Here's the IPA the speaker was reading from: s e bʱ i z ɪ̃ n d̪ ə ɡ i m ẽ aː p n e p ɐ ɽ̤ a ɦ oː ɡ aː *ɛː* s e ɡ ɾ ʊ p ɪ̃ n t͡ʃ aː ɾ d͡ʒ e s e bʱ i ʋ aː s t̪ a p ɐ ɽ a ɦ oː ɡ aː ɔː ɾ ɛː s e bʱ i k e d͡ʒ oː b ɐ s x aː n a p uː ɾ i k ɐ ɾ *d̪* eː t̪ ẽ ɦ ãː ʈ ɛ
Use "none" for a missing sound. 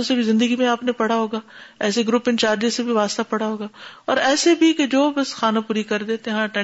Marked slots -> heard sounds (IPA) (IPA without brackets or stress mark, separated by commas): ɛː, d̪